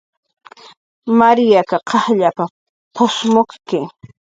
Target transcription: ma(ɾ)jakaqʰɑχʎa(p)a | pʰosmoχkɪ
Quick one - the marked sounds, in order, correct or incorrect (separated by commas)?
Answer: correct, correct